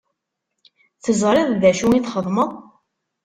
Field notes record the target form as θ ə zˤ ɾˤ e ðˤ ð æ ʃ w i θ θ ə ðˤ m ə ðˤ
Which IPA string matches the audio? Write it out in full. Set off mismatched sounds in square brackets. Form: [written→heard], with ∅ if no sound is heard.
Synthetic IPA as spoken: θ ə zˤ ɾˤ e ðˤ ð æ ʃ [w→u] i θ [θ→χ] ə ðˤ m ə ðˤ